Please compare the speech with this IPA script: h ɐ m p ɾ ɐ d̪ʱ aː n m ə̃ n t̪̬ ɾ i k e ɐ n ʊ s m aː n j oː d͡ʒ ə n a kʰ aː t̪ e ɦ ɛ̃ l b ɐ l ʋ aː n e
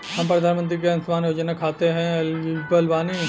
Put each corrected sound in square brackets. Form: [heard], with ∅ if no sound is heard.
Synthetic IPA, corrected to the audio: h ɐ m p ɾ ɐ d̪ʱ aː n m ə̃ n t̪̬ ɾ i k e ɐ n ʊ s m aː n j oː d͡ʒ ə n a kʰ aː t̪ e ɦ ɛ̃ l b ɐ l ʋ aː n [i]